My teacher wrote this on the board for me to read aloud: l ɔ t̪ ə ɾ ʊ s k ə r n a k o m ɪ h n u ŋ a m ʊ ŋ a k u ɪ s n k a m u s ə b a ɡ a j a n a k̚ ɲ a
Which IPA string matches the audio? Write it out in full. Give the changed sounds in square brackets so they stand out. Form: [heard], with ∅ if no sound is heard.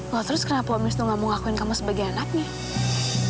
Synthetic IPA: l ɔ t̪ ə ɾ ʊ s k ə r n a [p] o m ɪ [s] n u ŋ a m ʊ ŋ a k u ɪ [∅] n k a m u s ə b a ɡ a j a n a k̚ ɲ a